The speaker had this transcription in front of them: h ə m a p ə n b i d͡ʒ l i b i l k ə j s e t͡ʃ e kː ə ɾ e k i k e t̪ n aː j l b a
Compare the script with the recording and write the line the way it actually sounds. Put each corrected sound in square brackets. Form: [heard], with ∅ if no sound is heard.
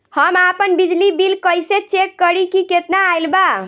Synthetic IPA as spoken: h ə m a p ə n b i d͡ʒ l i b i l k ə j s e t͡ʃ e kː ə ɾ [i] k i k e t̪ n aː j l b a